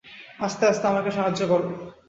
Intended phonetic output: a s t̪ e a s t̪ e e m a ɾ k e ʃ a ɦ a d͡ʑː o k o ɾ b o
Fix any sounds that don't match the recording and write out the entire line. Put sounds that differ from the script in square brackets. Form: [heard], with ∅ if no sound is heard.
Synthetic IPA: a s t̪ e a s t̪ e [a] m a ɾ k e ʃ a ɦ a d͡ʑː o k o ɾ b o